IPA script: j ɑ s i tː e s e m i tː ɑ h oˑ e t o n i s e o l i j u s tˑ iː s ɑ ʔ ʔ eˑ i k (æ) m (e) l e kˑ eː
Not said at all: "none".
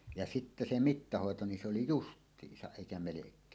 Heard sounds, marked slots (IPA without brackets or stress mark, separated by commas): æ, e